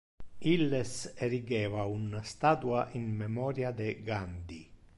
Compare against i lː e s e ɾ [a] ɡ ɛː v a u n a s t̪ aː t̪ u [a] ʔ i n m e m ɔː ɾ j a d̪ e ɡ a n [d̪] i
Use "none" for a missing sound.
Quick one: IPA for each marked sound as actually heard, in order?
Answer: i, a, d̪

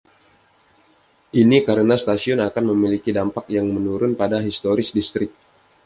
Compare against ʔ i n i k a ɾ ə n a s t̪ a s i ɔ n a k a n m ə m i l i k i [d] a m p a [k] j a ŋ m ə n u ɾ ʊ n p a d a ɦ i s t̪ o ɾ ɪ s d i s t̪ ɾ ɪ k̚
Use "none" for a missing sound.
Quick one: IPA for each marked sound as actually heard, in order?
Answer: d, k

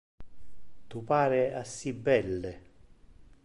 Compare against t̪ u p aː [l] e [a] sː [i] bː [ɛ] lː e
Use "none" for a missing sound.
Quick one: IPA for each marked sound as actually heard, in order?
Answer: ɾ, a, i, ɛ

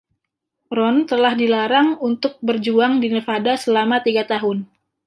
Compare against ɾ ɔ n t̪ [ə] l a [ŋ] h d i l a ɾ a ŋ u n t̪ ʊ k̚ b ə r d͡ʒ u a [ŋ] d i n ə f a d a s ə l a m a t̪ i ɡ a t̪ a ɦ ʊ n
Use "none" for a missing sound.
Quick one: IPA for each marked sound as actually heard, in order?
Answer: ə, none, ŋ

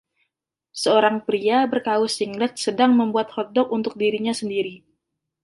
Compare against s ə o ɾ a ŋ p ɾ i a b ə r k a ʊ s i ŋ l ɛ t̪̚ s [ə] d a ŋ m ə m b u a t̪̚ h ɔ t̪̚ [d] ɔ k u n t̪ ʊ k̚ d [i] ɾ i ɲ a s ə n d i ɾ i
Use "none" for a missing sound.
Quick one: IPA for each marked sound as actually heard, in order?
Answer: ə, d, i

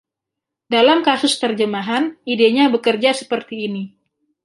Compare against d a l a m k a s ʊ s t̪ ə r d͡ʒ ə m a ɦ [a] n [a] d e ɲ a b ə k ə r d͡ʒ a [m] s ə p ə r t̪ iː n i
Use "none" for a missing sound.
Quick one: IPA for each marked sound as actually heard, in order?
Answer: a, i, none

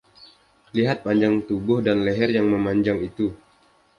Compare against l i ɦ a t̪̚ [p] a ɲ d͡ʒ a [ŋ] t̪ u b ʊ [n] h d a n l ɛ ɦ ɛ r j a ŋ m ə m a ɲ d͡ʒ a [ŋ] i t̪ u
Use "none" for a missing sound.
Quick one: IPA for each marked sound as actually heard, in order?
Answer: p, ŋ, none, ŋ

